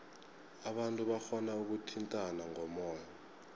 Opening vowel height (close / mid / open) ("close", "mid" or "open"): open